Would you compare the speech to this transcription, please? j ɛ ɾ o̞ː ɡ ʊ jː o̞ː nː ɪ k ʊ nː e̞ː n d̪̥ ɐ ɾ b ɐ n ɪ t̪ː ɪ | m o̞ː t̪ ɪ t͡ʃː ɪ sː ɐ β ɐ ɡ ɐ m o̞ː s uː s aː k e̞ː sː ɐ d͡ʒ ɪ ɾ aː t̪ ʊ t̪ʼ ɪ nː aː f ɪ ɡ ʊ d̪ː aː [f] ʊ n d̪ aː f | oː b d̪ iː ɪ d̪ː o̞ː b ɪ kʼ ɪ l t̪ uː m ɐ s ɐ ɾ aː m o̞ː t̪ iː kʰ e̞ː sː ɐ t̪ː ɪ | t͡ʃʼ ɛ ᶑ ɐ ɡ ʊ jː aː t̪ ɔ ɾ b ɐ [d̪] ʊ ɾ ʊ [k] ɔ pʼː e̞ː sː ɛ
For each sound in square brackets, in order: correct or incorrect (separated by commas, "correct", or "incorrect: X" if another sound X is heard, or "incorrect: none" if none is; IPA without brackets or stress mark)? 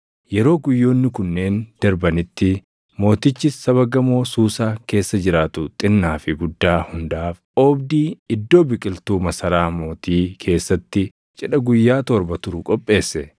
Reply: incorrect: h, incorrect: t̪, incorrect: kʼ